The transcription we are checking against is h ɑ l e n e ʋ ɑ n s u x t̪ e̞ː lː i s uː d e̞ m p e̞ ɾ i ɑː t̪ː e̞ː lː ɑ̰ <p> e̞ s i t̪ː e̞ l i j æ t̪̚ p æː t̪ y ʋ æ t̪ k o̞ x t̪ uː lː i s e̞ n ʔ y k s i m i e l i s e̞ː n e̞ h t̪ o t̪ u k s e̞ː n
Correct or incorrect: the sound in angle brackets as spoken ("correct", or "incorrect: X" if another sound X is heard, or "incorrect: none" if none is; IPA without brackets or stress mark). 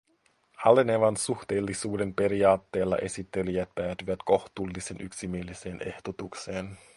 incorrect: ʔ